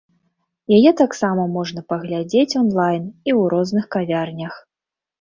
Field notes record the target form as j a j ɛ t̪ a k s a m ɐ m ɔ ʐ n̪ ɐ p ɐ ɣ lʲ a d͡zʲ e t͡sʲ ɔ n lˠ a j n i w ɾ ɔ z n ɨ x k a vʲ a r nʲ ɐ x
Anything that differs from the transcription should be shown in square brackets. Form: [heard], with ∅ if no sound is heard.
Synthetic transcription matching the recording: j a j ɛ t̪ a k s a m ɐ m ɔ ʐ n̪ ɐ p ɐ ɣ lʲ a d͡zʲ e t͡sʲ ɔ n lˠ a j n i w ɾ ɔ z n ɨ x k a vʲ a r nʲ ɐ x